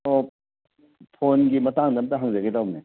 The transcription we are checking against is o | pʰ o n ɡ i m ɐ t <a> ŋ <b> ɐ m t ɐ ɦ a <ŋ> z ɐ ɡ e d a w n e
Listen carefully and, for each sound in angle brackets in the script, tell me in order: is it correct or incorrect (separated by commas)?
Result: correct, incorrect, correct